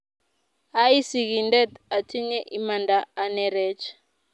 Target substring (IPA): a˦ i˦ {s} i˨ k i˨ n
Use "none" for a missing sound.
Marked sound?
s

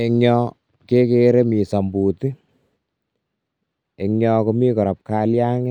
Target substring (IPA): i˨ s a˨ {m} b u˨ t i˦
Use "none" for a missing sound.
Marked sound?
m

